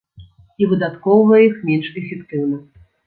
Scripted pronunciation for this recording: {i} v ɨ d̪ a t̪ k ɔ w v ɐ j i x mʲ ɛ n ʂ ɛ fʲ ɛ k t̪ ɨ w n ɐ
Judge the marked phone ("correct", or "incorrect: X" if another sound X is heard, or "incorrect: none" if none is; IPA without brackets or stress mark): correct